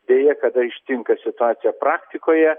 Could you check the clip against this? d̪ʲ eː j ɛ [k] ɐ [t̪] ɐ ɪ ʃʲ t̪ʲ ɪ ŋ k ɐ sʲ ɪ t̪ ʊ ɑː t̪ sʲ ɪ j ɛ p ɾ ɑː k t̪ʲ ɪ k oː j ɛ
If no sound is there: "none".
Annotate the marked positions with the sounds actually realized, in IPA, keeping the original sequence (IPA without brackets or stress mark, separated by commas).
k, d̪